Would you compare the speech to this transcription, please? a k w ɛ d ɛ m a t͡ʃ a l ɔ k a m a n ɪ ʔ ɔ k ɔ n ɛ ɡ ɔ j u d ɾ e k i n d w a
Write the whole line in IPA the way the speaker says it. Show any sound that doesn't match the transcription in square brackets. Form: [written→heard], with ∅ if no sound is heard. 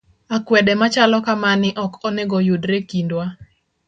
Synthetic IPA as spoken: a k w ɛ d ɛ m a t͡ʃ a l ɔ k a m a n ɪ ʔ ɔ k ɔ n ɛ ɡ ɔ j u d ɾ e k i n d w a